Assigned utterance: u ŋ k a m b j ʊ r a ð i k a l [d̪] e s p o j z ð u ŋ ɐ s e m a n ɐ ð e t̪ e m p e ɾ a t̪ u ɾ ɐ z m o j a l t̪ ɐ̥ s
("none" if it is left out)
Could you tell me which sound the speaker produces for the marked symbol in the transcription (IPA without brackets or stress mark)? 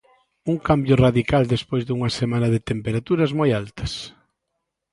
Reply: d̪